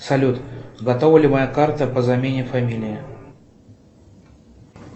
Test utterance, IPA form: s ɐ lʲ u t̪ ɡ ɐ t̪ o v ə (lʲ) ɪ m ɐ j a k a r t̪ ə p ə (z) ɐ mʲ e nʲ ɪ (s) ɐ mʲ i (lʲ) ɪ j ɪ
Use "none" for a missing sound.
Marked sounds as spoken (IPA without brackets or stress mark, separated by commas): lʲ, z, f, lʲ